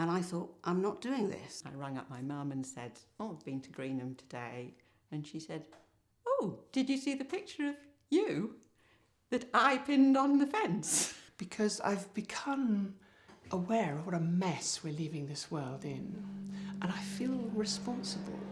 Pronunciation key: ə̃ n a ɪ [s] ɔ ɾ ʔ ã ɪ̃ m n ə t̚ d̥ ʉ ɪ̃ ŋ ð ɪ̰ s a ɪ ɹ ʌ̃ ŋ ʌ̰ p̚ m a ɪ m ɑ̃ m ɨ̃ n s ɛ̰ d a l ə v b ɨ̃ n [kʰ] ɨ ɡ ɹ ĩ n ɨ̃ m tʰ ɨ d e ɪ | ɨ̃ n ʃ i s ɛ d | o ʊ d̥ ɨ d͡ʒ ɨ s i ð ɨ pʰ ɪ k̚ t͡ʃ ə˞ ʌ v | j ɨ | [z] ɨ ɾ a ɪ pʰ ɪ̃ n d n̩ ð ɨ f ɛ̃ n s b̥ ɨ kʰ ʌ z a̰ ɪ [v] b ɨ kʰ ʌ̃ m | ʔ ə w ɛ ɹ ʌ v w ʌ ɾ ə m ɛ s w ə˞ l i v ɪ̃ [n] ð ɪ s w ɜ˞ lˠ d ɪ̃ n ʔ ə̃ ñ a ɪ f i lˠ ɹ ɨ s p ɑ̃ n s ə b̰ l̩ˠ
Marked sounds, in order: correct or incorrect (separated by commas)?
incorrect, incorrect, incorrect, correct, incorrect